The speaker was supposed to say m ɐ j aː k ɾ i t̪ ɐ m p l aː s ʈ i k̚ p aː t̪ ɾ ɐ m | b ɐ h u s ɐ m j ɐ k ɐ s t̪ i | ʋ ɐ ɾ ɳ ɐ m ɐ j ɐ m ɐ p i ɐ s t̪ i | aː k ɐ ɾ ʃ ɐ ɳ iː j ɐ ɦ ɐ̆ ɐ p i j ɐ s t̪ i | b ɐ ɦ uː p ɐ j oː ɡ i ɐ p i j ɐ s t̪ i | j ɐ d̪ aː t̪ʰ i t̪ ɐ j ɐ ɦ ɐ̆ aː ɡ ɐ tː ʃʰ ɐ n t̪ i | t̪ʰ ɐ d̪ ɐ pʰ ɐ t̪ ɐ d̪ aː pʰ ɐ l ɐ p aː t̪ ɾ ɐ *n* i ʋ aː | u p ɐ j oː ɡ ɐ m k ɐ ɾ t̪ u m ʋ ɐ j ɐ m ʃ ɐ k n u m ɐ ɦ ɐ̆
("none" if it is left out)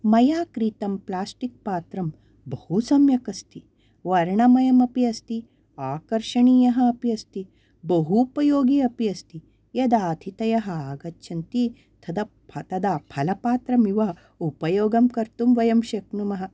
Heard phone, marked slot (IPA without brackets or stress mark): m